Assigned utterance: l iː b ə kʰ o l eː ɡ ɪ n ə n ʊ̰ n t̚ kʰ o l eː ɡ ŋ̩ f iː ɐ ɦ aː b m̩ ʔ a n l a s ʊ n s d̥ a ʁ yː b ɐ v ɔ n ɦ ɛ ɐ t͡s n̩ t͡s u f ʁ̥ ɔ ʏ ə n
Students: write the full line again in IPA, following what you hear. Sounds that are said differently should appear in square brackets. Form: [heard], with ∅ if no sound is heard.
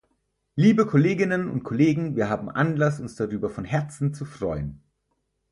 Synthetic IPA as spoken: l iː b ə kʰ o l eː ɡ ɪ n ə n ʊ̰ n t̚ kʰ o l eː ɡ ŋ̩ [v] iː ɐ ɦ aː b m̩ ʔ a n l a s ʊ n s d̥ a ʁ yː b ɐ [f] ɔ n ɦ ɛ ɐ t͡s n̩ t͡s u f ʁ̥ ɔ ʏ ə n